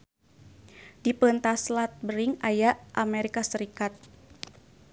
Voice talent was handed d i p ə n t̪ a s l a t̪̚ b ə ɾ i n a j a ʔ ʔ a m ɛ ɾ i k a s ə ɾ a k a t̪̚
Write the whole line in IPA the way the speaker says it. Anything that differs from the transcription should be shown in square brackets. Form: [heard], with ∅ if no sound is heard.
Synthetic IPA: d i p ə n t̪ a s l a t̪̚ b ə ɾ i [ŋ] a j a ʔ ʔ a m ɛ ɾ i k a s ə ɾ [i] k a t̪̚